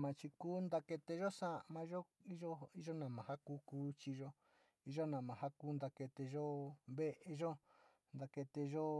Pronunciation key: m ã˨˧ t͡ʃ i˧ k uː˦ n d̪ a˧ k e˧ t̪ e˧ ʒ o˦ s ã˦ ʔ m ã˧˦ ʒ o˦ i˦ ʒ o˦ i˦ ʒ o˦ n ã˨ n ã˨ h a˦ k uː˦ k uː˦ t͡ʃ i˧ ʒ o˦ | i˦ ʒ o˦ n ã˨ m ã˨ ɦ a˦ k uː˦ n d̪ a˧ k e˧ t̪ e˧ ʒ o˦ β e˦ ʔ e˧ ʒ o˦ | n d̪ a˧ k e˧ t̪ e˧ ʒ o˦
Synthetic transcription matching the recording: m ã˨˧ t͡ʃ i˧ k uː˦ n d̪ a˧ k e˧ t̪ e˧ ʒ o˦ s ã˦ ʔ m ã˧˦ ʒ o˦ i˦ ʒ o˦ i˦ ʒ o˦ n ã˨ m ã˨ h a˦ k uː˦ k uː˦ t͡ʃ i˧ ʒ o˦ | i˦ ʒ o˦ n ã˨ m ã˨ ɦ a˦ k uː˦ n d̪ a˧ k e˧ t̪ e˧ ʒ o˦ β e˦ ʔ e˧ ʒ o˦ | n d̪ a˧ k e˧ t̪ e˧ ʒ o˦